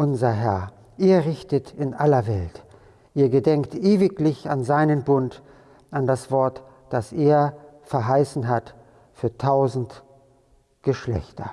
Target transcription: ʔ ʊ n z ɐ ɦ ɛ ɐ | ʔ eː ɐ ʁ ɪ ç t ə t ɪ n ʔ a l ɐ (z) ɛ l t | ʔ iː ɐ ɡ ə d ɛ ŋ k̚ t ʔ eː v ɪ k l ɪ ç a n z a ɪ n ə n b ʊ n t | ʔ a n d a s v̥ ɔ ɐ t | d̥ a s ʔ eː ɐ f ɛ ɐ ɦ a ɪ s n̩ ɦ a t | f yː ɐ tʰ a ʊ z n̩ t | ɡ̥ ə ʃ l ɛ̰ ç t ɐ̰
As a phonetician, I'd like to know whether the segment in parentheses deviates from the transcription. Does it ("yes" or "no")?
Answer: yes